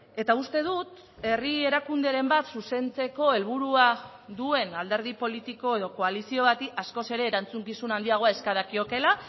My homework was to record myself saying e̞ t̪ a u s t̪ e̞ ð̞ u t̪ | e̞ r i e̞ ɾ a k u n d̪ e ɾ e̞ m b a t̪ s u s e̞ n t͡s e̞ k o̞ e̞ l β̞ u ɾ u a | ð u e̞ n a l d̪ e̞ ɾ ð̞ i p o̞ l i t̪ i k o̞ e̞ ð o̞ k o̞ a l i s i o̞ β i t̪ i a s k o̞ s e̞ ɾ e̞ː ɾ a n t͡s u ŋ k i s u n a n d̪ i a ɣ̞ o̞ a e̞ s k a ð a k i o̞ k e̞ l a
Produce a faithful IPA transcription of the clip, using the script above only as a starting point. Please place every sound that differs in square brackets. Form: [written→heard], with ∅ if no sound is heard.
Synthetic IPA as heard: e̞ t̪ a u s t̪ e̞ ð̞ u t̪ | e̞ r i e̞ ɾ a k u n d̪ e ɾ e̞ m b a t̪ s u s e̞ n t͡s e̞ k o̞ e̞ l β̞ u ɾ u a | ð u e̞ n a l d̪ e̞ ɾ ð̞ i p o̞ l i t̪ i k o̞ e̞ ð o̞ k o̞ a l i s i o̞ β [i→a] t̪ i a s k o̞ s e̞ ɾ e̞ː ɾ a n t͡s u ŋ k i s u n a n d̪ i a ɣ̞ o̞ a e̞ s k a ð a k i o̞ k e̞ l a